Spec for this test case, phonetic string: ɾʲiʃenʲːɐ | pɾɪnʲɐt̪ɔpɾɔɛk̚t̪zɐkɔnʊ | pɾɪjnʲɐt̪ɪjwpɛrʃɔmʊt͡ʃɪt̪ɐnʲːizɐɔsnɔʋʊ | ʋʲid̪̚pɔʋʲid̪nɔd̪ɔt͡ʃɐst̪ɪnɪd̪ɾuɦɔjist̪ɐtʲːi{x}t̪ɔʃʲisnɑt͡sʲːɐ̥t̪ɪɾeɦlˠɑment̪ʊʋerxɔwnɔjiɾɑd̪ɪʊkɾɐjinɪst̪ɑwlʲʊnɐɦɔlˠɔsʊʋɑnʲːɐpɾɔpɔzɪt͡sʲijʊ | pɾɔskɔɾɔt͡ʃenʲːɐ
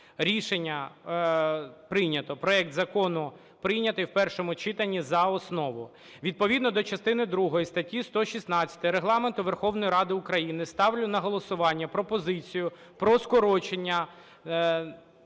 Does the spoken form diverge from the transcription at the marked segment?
yes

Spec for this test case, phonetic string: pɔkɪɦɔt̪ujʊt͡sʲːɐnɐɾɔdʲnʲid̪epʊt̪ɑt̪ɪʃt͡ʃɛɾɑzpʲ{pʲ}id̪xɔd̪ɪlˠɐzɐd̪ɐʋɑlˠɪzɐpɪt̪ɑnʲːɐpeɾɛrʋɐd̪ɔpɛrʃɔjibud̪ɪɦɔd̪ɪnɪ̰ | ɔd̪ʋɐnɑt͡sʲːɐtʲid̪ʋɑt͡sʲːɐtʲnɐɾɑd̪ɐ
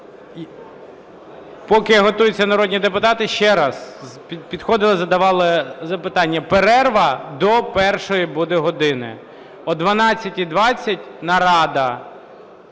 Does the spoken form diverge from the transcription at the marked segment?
no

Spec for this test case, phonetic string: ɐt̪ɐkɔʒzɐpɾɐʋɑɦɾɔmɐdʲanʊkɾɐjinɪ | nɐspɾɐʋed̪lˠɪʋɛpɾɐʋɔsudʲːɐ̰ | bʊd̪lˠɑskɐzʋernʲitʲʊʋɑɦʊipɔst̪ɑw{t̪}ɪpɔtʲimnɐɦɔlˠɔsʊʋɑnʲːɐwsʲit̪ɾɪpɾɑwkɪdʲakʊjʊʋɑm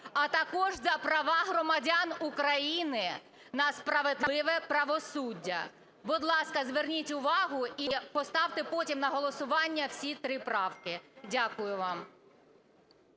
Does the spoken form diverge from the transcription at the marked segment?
no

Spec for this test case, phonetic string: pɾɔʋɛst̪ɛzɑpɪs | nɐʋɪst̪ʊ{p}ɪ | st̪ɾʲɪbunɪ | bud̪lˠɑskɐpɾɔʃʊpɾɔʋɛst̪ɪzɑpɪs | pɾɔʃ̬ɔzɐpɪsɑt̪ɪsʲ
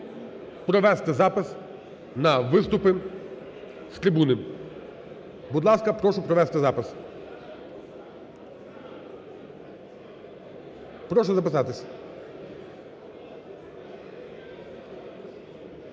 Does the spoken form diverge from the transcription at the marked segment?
no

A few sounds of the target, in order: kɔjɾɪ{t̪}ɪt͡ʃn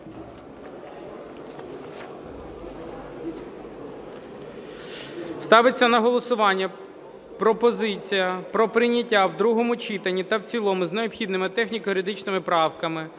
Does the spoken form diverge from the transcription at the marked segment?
yes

